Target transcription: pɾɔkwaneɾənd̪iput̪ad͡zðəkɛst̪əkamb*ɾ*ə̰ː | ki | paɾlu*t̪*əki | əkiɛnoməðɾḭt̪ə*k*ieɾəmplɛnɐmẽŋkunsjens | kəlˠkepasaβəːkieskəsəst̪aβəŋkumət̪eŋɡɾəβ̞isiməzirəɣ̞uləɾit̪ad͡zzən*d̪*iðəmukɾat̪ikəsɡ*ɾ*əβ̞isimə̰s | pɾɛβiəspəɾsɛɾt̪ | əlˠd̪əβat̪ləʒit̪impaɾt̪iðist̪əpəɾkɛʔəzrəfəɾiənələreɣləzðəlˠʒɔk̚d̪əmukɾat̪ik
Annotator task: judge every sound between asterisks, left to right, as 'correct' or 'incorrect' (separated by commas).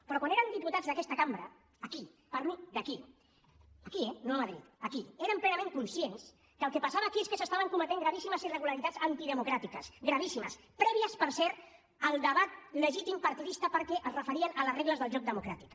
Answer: correct, incorrect, correct, incorrect, correct